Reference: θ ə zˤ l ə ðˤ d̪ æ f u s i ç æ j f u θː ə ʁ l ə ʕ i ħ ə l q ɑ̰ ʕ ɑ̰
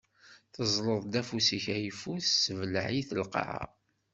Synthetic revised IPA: θ ə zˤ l ə ðˤ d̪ æ f u s i ç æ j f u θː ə v l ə ʕ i θ ə l q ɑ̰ ʕ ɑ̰